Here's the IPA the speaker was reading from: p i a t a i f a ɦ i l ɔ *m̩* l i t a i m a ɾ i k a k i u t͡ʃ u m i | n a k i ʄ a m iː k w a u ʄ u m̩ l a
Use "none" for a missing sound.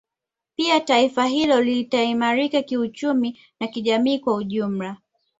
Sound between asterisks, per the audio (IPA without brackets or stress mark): none